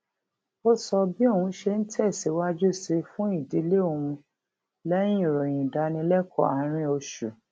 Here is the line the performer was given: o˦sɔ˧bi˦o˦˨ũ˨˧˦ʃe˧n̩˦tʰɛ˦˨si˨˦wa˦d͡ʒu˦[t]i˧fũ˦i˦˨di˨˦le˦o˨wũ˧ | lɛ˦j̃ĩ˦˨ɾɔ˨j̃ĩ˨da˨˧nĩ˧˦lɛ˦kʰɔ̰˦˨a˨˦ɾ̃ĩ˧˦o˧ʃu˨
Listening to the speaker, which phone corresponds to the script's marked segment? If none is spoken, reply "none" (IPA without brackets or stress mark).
s